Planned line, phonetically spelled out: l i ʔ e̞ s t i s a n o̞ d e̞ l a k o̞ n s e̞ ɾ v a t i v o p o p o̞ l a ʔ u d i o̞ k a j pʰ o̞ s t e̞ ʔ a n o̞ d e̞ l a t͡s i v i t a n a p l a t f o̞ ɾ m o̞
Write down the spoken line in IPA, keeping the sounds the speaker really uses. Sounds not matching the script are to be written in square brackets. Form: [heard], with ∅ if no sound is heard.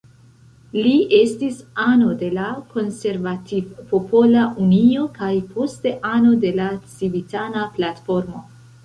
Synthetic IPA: l i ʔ e̞ s t i s a n o̞ d e̞ l a k o̞ n s e̞ ɾ v a t i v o p o p o̞ l a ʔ u [n] i o̞ k a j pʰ o̞ s t e̞ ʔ a n o̞ d e̞ l a t͡s i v i t a n a p l a t f o̞ ɾ m o̞